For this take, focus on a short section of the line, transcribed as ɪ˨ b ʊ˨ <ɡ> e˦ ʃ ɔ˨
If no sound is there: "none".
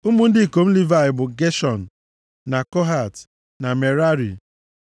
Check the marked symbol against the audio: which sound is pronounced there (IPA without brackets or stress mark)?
ɡ